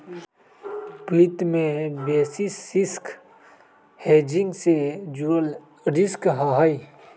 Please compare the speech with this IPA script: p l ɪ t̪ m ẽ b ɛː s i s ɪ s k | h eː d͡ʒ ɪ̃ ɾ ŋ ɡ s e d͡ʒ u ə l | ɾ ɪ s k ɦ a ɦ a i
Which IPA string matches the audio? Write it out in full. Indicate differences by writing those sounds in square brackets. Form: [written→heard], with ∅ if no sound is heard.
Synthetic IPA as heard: p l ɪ t̪ m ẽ b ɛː s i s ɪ s k | h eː d͡ʒ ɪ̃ [ɾ→∅] ŋ ɡ s e d͡ʒ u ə l | ɾ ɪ s k ɦ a ɦ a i